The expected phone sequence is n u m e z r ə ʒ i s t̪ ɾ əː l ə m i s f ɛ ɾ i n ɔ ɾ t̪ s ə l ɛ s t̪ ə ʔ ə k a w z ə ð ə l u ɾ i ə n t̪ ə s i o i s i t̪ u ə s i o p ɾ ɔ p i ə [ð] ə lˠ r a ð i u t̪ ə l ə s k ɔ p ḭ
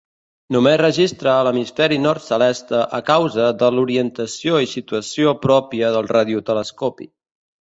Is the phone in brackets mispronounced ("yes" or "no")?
no